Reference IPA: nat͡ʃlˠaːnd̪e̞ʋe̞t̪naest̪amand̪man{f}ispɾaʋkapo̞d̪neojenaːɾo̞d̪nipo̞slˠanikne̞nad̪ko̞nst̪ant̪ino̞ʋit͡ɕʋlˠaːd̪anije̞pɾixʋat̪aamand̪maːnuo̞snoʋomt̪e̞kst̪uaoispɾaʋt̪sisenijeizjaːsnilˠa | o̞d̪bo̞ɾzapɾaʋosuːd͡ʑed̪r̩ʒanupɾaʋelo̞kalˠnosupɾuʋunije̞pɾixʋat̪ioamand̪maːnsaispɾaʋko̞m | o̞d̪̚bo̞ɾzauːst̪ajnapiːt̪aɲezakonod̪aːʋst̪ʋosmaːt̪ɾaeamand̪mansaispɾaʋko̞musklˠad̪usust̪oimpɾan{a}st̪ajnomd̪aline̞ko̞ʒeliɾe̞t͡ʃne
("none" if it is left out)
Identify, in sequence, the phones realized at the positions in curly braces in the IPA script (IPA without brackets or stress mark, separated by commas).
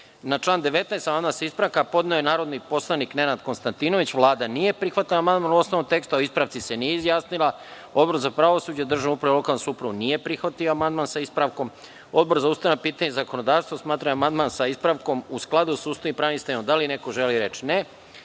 s, i